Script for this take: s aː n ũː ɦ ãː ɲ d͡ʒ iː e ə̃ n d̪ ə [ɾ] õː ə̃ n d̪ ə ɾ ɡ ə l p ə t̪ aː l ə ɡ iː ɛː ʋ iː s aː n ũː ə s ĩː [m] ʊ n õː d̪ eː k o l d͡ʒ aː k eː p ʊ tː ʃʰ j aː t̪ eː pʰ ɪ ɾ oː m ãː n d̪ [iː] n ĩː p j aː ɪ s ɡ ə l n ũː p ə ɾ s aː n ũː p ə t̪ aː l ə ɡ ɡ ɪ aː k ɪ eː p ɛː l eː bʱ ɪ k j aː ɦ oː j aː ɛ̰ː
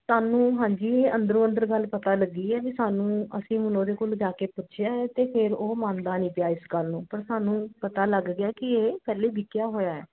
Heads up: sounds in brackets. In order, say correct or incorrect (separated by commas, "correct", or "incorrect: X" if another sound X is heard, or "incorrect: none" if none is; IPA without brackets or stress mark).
correct, correct, incorrect: aː